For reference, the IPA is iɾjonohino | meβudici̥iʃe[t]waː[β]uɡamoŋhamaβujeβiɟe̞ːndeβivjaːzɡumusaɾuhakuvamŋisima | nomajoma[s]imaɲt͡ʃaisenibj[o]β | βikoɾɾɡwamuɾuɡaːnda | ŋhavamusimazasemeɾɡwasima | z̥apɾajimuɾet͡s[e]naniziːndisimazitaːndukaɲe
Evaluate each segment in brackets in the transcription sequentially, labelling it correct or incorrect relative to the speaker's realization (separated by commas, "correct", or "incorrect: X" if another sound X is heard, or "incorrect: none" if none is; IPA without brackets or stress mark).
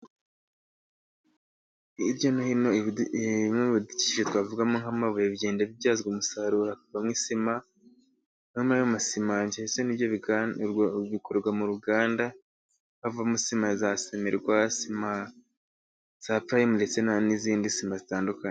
correct, incorrect: v, correct, correct, correct